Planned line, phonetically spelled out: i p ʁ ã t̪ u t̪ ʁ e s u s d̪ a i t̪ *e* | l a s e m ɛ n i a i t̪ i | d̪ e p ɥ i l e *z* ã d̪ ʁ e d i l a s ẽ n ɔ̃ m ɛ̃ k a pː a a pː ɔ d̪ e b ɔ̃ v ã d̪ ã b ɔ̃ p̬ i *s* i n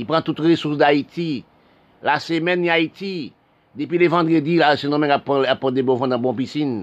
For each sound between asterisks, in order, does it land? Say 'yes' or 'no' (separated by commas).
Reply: no, no, yes